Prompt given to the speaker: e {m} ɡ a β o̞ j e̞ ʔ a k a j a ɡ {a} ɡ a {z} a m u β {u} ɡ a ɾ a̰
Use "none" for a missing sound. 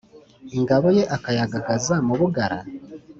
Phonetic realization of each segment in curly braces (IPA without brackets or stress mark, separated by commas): ŋ, a, z, u